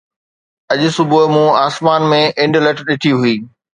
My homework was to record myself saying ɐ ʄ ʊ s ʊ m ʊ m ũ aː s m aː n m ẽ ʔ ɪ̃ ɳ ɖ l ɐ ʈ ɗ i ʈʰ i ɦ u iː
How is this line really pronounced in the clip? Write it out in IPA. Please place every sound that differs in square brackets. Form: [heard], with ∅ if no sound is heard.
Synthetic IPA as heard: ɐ ʄ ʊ s ʊ [b] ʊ m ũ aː s m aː n m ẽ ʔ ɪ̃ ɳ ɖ l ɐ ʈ ɗ [ɪ] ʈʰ i ɦ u iː